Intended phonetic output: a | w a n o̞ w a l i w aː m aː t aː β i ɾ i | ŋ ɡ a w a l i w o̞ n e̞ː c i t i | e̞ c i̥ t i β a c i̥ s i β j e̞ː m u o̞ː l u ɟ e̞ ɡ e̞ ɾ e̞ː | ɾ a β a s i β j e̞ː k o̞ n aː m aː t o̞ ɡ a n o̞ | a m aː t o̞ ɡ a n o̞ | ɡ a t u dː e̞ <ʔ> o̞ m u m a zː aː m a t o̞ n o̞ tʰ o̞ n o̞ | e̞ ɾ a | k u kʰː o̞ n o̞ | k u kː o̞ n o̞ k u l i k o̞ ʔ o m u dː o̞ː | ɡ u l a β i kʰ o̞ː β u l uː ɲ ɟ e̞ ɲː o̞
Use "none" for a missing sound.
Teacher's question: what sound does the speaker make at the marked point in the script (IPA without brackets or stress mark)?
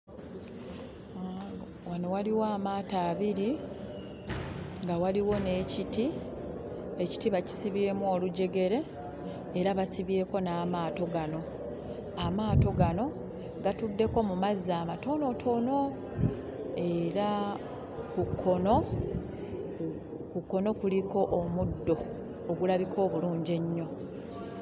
k